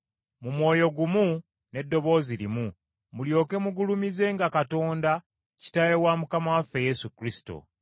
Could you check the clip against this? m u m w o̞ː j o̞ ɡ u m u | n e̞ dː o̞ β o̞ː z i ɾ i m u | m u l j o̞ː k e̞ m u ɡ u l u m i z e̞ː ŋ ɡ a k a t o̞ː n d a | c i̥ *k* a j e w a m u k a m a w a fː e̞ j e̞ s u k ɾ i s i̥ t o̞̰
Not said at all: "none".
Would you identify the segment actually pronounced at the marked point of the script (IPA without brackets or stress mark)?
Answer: t